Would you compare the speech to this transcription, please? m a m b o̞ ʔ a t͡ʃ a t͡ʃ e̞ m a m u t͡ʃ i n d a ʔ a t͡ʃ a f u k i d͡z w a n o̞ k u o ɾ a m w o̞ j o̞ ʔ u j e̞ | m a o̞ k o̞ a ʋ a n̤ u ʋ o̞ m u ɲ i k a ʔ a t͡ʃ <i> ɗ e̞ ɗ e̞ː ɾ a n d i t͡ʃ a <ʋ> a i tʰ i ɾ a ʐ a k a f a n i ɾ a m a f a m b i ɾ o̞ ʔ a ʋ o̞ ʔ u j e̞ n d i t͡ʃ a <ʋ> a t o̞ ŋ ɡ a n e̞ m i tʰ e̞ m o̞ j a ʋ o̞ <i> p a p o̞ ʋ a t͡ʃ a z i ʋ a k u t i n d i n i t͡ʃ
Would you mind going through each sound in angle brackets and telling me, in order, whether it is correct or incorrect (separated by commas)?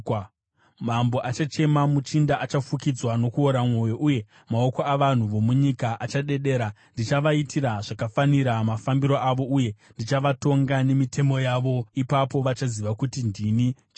incorrect, correct, correct, correct